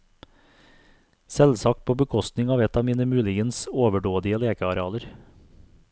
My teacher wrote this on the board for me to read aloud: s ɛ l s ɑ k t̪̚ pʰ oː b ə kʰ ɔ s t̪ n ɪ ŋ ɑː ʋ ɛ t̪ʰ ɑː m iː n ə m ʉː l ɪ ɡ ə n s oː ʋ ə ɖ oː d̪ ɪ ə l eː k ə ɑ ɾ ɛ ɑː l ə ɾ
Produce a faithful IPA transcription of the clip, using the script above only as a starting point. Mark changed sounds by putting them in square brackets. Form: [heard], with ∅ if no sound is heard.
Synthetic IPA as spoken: s ɛ l s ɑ k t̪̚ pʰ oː b ə kʰ ɔ s t̪ n ɪ ŋ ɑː ʋ ɛ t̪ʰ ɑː m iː n ə m ʉː l ɪ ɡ ə n s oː ʋ ə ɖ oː d̪ ɪ ə l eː k ə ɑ ɾ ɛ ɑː l ə ɾ